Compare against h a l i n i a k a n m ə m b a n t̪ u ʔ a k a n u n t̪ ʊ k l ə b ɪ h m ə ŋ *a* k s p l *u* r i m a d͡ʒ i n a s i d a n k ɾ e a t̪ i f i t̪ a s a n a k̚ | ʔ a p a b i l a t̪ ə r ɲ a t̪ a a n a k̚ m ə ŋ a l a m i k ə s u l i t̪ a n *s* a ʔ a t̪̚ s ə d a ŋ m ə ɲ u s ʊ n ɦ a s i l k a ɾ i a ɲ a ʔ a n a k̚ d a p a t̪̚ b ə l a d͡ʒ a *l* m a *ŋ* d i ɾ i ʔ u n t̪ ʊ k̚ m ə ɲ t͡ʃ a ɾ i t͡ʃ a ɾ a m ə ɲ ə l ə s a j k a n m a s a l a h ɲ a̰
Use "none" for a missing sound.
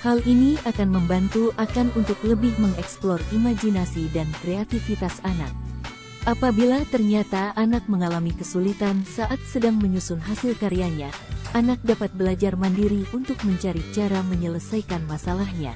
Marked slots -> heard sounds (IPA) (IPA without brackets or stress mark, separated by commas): ɛ, ɔ, s, r, n